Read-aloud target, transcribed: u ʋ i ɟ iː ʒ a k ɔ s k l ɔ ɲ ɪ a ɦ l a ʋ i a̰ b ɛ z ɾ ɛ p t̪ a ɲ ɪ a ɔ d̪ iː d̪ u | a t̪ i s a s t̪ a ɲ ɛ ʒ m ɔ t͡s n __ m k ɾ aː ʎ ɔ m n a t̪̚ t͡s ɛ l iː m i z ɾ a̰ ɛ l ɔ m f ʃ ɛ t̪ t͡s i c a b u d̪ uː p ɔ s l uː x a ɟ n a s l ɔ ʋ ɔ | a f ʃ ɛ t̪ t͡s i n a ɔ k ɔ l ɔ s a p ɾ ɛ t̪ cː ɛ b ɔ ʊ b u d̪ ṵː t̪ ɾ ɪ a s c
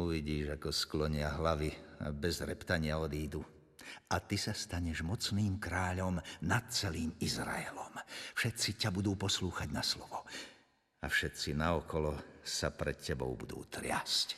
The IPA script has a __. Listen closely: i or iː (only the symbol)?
iː